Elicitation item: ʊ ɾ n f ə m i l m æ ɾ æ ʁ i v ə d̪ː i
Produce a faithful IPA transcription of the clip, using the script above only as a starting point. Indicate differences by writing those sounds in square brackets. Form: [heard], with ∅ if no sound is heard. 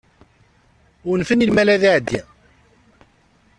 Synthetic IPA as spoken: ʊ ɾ n f ə [n] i l m æ [l] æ [ð] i [ʕ] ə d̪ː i